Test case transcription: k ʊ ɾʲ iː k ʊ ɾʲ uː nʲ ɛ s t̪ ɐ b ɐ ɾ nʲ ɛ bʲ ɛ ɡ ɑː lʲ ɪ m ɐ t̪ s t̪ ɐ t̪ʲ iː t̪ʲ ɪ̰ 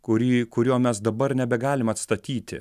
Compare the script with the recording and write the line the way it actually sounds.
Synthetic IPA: k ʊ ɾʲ iː k ʊ ɾʲ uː mʲ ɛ s d̪ ɐ b ɐ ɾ nʲ ɛ bʲ ɛ ɡ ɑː lʲ ɪ m ɐ t̪ s t̪ ɐ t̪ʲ iː t̪ʲ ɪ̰